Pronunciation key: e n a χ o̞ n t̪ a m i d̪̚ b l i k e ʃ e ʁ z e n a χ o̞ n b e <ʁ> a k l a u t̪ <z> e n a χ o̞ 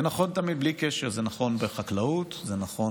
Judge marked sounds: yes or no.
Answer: no, yes

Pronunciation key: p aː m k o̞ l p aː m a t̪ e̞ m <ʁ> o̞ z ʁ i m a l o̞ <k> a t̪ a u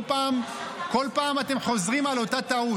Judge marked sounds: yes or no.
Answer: no, no

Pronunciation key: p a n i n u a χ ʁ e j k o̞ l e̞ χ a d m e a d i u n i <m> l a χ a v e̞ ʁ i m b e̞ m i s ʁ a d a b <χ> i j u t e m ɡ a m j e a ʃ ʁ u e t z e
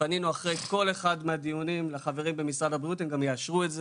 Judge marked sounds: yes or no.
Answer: yes, no

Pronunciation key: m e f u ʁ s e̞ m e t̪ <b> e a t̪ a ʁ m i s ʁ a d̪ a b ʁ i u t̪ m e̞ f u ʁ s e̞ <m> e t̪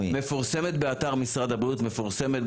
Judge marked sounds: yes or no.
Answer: yes, yes

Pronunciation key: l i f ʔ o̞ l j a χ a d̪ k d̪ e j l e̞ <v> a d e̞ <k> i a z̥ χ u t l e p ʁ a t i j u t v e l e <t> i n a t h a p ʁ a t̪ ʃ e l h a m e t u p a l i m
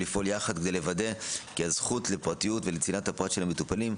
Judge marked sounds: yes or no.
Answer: yes, yes, no

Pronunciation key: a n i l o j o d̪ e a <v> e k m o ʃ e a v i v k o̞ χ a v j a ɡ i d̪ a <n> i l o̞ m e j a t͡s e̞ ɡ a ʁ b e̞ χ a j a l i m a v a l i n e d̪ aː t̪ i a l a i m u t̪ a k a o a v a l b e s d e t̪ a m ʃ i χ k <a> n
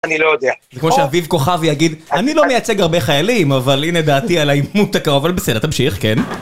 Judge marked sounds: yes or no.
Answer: no, yes, no

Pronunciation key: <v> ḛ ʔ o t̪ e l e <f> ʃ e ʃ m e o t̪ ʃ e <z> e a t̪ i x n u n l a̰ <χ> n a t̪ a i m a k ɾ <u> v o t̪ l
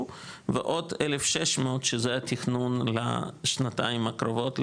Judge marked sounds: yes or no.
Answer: yes, yes, yes, no, no

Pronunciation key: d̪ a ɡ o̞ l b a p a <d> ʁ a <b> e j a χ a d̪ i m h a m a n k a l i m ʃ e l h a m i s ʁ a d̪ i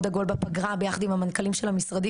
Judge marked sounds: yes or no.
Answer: no, yes

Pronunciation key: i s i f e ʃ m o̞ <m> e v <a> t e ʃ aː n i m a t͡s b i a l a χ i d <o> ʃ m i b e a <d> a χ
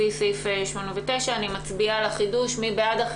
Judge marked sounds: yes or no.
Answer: no, no, no, yes

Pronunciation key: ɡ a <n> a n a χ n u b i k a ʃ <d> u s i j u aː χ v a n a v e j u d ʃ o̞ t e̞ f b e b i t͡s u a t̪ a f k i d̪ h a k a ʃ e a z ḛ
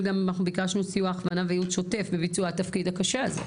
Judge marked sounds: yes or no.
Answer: no, no

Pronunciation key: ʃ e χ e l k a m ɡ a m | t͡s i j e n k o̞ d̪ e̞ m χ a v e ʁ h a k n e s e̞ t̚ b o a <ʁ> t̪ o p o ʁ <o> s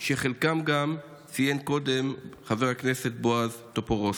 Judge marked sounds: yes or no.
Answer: no, yes

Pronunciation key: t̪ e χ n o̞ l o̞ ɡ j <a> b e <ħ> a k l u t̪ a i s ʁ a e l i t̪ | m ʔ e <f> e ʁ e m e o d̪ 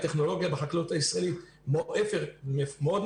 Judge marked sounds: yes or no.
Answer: yes, yes, yes

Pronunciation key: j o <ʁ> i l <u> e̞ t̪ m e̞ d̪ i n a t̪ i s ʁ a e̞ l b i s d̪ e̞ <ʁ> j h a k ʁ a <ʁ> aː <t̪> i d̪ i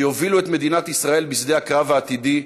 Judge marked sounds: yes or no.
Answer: no, yes, no, no, yes

